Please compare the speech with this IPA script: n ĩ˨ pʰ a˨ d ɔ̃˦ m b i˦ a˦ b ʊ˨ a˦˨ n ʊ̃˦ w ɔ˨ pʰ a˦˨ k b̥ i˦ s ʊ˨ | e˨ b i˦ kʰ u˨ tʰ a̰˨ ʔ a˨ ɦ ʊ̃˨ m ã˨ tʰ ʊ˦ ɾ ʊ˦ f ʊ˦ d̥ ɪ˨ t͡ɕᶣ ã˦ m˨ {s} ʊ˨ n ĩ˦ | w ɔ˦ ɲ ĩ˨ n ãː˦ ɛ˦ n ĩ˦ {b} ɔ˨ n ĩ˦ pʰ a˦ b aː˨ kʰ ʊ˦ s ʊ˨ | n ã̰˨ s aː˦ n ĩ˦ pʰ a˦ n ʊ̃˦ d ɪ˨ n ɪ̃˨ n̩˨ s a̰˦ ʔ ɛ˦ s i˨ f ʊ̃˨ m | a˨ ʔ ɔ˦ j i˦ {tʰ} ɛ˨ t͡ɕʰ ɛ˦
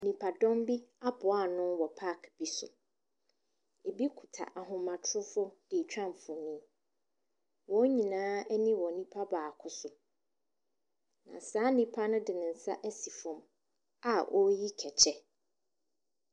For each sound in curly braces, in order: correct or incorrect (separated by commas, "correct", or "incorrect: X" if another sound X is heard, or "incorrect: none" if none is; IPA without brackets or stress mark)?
incorrect: f, incorrect: w, incorrect: kʰ